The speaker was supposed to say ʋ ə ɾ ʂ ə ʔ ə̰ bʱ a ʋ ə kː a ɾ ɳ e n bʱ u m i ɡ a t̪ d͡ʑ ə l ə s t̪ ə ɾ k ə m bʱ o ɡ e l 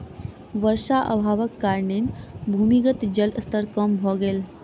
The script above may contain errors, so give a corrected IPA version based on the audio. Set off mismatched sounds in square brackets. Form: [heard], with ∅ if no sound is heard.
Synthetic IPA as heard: ʋ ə ɾ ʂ [a] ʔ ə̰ bʱ a ʋ ə kː a ɾ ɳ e n bʱ u m i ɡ [ə] t̪ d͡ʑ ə l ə s t̪ ə ɾ k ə m bʱ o ɡ e l